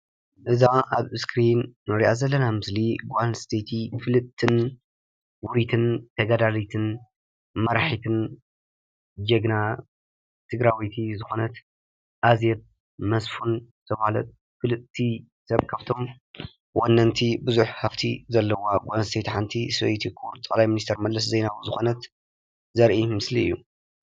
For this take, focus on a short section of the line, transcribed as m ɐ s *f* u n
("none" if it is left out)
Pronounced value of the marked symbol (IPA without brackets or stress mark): f